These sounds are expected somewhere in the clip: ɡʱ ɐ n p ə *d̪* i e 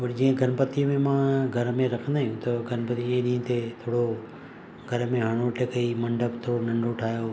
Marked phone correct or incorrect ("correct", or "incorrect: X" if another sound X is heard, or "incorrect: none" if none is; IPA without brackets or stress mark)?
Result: incorrect: t̪